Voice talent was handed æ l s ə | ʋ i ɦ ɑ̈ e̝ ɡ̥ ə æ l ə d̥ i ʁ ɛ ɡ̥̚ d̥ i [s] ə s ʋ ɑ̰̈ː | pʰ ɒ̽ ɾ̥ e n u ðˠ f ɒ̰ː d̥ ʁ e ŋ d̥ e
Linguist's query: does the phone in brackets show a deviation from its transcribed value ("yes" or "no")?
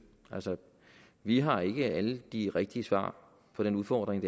yes